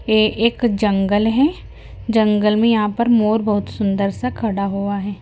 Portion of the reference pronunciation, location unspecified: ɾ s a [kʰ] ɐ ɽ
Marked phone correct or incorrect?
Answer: correct